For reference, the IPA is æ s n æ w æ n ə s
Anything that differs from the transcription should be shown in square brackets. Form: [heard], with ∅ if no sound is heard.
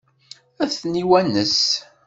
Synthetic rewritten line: æ [θ] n [i] w æ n ə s